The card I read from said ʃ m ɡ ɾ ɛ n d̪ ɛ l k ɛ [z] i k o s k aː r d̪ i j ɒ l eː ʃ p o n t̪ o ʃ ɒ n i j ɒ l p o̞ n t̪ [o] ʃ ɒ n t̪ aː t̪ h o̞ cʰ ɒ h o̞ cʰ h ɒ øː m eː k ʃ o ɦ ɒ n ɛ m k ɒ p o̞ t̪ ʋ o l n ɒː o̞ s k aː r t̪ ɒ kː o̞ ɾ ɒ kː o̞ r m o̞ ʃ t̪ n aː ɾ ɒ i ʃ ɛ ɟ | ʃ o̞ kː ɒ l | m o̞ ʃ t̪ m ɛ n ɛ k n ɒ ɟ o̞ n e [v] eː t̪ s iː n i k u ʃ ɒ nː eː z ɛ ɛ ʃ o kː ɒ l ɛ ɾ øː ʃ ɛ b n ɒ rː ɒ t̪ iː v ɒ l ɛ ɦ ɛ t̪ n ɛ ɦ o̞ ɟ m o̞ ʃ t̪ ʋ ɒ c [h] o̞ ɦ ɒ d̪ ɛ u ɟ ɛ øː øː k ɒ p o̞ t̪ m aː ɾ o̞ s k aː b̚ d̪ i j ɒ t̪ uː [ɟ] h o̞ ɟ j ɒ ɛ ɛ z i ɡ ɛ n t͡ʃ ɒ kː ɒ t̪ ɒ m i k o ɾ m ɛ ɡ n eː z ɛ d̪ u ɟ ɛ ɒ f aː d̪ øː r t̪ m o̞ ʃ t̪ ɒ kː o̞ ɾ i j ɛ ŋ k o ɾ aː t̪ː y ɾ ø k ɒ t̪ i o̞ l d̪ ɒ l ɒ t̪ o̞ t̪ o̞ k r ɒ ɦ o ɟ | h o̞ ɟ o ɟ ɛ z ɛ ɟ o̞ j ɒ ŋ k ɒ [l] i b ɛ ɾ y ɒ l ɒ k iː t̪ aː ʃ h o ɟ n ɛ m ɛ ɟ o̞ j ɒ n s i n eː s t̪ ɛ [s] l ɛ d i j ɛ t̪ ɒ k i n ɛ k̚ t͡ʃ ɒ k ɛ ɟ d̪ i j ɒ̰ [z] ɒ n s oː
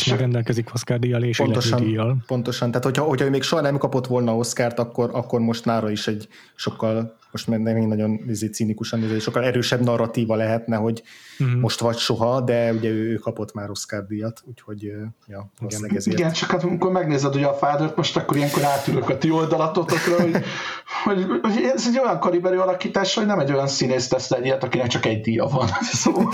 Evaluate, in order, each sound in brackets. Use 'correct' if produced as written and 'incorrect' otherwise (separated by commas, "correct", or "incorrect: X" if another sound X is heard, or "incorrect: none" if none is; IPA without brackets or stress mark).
correct, correct, incorrect: z, incorrect: ʃ, incorrect: c, incorrect: ɾ, correct, incorrect: v